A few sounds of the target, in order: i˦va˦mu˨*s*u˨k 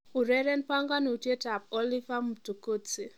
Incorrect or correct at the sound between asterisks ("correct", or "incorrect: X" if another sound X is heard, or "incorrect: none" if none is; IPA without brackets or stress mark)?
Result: incorrect: t